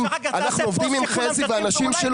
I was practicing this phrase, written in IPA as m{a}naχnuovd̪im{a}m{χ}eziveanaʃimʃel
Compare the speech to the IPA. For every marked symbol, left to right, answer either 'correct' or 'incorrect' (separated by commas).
correct, incorrect, correct